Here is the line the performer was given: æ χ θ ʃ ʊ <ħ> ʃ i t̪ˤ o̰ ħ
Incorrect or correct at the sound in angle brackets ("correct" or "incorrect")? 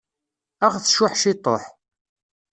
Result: correct